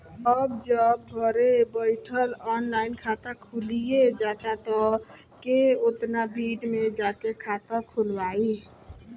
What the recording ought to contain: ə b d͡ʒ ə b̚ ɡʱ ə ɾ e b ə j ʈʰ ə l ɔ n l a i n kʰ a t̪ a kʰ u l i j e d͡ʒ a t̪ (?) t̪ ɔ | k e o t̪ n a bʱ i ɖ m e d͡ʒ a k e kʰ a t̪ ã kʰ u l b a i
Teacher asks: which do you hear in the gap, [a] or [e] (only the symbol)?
a